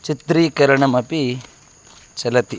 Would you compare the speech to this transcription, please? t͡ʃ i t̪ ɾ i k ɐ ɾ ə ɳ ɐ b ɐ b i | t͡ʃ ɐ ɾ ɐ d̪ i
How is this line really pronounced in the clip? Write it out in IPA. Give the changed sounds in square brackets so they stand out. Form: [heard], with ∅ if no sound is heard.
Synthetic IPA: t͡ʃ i t̪ ɾ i k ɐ ɾ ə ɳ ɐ [m] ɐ [p] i | t͡ʃ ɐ [l] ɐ [t̪] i